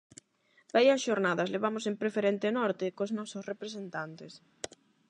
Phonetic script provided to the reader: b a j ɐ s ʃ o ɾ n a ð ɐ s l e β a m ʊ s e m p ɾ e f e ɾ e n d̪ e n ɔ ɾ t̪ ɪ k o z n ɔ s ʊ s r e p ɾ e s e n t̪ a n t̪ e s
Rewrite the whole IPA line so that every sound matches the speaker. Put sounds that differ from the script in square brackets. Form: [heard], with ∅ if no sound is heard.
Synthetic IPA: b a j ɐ s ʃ o ɾ n a ð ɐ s l e β a m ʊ s e m p ɾ e f e ɾ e n [t̪] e n ɔ ɾ t̪ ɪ k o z n ɔ s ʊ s r e p ɾ e s e n t̪ a n t̪ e s

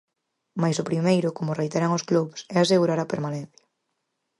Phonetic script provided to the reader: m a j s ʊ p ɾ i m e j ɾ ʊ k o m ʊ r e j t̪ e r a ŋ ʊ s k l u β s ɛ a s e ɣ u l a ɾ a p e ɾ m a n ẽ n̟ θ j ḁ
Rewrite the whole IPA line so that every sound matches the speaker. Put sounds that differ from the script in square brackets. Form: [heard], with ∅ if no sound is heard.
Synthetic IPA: m a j s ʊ p ɾ i m e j ɾ ʊ k o m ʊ r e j t̪ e [ɾ] a ŋ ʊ s k l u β s ɛ a s e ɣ u [ɾ] a ɾ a p e ɾ m a n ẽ n̟ θ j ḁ

